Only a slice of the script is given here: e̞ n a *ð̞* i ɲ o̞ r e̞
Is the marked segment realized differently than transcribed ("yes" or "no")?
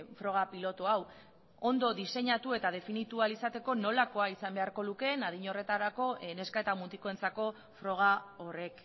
no